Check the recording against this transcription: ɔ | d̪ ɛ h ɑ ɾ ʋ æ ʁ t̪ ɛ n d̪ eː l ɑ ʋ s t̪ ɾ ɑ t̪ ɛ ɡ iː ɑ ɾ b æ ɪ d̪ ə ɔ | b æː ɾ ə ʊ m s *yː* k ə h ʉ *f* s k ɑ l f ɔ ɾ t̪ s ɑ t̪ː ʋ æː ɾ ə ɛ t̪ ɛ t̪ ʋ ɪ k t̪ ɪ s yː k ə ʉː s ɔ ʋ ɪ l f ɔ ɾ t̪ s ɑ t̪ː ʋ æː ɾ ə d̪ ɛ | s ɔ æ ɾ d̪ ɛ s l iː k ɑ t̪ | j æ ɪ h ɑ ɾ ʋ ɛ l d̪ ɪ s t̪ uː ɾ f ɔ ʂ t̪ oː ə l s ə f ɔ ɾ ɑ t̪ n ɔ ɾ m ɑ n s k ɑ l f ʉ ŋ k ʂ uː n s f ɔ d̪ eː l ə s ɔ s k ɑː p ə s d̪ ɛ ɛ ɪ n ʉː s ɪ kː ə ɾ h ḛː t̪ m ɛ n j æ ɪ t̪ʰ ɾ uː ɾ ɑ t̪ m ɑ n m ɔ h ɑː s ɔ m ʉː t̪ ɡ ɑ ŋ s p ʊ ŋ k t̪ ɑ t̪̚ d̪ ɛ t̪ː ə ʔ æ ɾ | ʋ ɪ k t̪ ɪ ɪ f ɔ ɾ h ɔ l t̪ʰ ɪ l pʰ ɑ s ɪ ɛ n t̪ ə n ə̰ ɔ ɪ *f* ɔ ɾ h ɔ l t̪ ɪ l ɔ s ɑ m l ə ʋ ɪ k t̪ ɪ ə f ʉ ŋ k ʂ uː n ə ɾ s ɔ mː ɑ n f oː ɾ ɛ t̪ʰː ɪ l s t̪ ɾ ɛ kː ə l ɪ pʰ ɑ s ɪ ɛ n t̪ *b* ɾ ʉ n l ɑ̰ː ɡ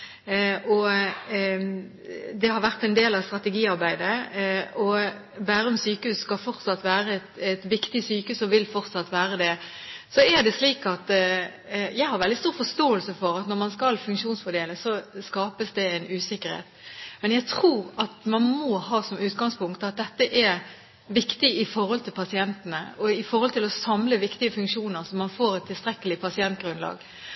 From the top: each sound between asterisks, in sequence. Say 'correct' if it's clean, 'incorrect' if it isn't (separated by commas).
correct, incorrect, correct, incorrect